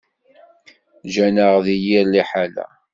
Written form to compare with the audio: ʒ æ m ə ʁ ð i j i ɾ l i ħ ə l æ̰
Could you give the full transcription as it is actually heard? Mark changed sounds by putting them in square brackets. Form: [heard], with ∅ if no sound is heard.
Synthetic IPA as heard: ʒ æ [n] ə ʁ ð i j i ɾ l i ħ [a] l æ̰